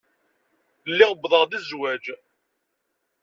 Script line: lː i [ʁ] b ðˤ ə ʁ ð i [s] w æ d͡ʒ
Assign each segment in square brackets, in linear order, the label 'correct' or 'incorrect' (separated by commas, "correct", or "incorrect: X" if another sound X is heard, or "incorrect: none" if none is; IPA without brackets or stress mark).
correct, incorrect: z